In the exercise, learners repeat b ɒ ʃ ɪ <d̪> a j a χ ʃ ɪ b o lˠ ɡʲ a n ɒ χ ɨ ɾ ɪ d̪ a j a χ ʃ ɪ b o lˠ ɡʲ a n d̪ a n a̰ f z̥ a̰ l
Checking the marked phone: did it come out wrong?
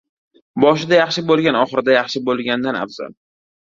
no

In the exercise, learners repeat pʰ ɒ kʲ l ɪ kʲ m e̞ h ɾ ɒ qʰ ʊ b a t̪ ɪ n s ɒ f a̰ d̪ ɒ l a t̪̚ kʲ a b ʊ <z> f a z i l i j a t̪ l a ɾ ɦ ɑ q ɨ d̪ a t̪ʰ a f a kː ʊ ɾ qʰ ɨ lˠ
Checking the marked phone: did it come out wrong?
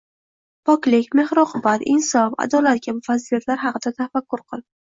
yes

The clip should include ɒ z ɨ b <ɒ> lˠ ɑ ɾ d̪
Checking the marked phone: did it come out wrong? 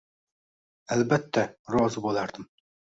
yes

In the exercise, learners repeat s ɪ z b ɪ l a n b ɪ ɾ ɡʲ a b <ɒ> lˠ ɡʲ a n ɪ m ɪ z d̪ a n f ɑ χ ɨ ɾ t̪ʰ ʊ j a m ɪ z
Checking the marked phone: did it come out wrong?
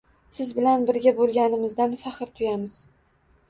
yes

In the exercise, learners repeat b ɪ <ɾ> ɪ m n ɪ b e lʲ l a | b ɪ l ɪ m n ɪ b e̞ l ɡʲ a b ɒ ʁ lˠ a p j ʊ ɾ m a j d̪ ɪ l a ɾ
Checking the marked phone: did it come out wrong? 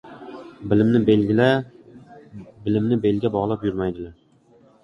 yes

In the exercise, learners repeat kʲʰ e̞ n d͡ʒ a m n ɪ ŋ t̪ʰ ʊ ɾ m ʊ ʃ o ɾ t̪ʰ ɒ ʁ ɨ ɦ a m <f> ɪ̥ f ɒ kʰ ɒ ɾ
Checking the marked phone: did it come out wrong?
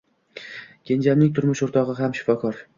yes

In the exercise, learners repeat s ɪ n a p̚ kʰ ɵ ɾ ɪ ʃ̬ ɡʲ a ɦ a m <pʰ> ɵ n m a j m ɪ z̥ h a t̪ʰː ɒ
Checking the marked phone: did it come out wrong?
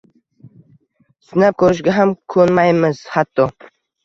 yes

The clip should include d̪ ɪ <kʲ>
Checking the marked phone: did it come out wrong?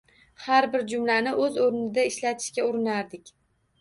no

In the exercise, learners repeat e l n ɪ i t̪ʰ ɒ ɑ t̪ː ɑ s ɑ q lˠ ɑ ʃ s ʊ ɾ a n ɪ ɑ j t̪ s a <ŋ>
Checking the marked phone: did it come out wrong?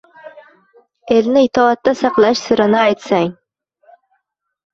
no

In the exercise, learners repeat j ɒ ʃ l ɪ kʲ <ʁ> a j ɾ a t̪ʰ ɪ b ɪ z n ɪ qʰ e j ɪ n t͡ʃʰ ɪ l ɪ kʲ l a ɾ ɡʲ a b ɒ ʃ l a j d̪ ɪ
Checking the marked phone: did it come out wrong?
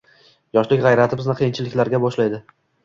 no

